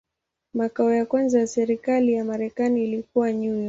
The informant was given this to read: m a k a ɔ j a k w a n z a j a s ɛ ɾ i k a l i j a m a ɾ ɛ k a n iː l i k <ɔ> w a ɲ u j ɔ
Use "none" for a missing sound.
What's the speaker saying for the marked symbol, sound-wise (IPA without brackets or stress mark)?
u